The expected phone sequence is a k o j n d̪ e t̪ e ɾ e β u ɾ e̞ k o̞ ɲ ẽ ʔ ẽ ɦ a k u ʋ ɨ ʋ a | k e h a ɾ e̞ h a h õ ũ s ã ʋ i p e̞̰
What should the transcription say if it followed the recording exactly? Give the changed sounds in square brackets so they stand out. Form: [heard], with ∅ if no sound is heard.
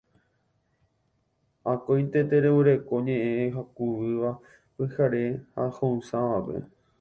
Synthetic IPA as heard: a k o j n [t̪] e t̪ e ɾ e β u ɾ e̞ k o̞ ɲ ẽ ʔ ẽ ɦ a k u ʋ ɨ ʋ a | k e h a ɾ e̞ h a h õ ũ s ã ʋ [a] p e̞̰